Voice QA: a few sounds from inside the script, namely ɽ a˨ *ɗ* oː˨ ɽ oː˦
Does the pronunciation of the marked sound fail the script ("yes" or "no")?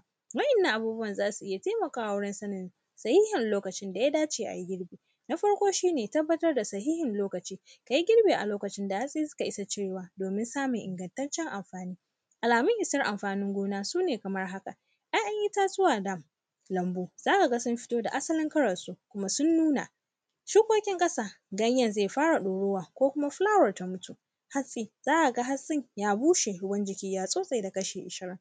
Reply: no